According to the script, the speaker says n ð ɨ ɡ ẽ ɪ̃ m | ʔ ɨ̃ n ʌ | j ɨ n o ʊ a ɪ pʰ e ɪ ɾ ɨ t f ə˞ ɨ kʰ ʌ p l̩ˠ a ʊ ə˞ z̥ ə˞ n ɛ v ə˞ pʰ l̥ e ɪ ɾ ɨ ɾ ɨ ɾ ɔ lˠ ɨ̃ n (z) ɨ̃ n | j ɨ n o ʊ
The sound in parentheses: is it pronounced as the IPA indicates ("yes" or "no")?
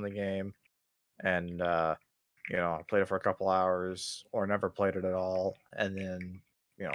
no